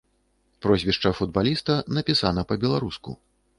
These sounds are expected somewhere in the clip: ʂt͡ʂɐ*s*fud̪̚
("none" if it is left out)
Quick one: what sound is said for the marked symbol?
none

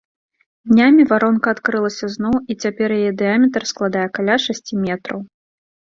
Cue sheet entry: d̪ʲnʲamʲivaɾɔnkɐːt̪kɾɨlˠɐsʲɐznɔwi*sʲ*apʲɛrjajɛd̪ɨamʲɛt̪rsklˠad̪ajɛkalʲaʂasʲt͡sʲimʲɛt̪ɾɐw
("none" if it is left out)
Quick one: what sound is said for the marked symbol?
t͡sʲ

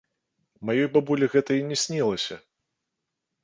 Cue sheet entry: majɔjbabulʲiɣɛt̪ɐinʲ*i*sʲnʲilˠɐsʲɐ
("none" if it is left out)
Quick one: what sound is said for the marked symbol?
ɛ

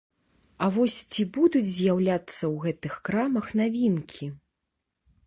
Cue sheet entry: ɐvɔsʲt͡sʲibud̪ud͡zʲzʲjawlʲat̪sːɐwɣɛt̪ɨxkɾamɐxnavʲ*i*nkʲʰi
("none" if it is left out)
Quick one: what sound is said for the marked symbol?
i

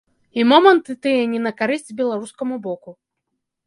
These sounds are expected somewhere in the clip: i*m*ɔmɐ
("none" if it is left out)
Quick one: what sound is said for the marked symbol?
m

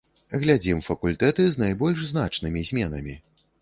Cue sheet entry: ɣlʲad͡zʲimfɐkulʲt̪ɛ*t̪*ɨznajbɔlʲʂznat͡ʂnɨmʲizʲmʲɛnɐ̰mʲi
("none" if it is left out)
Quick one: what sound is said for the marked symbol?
t̪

